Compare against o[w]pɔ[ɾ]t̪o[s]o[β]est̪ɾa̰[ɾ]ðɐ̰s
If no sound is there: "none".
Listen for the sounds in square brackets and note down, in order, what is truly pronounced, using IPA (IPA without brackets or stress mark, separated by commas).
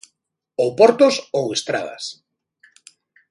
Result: w, ɾ, s, w, none